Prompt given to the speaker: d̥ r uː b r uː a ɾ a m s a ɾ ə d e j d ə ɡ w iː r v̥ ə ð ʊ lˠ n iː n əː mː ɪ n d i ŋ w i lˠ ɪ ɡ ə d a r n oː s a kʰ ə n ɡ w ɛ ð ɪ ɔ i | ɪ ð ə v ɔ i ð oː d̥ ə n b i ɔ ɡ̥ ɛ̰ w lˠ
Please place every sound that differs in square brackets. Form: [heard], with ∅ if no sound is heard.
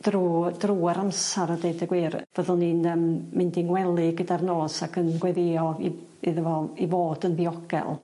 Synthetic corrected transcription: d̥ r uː [d] r uː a ɾ a m s a ɾ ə d e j d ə ɡ w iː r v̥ ə ð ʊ lˠ n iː n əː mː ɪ n d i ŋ w [ɛ] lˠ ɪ ɡ ə d a r n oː s a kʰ ə n ɡ w ɛ ð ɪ ɔ i | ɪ ð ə v ɔ i [v] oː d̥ ə n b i ɔ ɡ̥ ɛ̰ [∅] lˠ